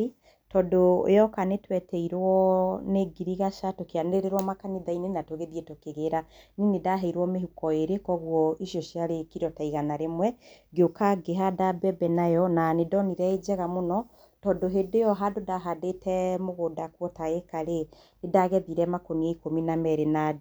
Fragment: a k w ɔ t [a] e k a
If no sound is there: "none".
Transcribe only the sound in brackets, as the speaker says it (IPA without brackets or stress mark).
a